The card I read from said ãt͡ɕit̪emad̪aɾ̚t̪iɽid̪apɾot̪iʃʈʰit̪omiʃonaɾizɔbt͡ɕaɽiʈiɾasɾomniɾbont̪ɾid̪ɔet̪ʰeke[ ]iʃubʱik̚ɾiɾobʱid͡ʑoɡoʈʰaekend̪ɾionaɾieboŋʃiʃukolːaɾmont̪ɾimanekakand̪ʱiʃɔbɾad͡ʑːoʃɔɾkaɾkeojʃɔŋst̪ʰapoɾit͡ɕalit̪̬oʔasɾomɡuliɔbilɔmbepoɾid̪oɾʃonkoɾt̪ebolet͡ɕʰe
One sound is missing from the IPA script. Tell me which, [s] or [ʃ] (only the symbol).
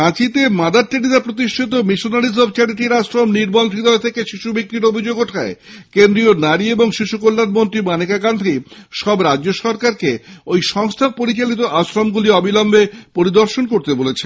ʃ